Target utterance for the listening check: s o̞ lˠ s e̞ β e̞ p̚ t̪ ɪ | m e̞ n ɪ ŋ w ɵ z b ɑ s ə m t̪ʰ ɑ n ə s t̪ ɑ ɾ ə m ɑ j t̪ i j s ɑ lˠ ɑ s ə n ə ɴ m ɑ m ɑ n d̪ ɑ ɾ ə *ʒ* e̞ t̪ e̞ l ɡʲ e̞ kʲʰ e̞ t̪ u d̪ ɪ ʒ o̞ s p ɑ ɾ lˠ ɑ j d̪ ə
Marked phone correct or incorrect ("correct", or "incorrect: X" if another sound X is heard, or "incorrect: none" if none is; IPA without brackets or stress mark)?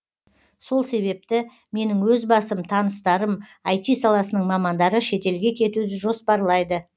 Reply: incorrect: ʃ